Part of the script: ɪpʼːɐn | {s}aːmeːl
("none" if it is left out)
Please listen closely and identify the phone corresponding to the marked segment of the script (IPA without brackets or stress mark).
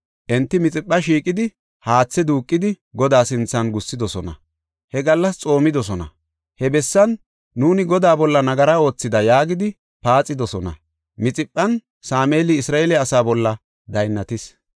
s